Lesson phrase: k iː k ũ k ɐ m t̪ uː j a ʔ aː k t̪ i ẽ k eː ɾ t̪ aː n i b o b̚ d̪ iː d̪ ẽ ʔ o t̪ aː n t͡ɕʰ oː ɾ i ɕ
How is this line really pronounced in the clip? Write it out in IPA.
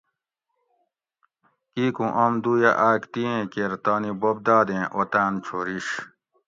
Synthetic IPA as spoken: k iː k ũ ʔ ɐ m d̪ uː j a ʔ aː k t̪ i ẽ k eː ɾ t̪ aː n i b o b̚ d̪ aː d̪ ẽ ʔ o t̪ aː n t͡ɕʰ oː ɾ i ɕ